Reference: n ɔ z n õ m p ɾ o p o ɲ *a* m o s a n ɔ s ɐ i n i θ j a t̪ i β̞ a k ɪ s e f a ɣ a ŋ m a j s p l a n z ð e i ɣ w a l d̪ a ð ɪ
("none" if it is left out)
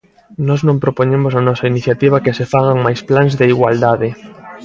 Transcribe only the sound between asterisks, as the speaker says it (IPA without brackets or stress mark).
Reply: e